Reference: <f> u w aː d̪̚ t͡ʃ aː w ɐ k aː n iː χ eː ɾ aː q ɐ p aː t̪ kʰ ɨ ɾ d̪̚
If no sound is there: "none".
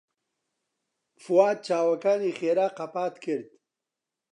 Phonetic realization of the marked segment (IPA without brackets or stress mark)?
f